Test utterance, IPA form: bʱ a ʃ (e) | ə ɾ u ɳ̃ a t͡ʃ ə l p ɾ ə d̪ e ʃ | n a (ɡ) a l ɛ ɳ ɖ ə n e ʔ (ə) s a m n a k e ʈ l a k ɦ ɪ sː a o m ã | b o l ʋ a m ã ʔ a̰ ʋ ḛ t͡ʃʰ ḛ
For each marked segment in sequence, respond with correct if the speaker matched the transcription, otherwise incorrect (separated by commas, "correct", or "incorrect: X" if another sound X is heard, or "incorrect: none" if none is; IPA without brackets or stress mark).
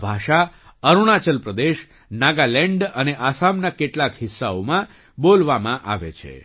incorrect: a, correct, incorrect: a